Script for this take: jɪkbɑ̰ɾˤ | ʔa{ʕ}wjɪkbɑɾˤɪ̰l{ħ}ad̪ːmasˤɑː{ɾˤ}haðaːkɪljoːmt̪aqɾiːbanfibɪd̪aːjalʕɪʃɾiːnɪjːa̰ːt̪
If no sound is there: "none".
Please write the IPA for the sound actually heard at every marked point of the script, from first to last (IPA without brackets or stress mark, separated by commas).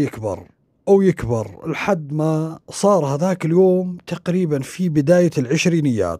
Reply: none, ħ, ɾˤ